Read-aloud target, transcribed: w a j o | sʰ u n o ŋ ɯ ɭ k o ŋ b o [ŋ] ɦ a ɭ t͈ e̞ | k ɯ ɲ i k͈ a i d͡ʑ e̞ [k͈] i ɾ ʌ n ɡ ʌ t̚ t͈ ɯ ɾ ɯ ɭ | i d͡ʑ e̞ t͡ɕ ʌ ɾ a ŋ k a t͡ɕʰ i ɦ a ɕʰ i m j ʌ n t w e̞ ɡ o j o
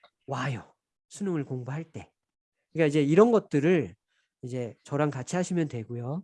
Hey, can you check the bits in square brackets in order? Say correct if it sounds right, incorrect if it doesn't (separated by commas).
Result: incorrect, incorrect